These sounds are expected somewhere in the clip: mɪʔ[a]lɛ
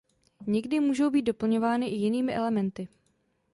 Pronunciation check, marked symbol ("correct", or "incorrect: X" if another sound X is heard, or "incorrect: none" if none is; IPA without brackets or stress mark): incorrect: ɛ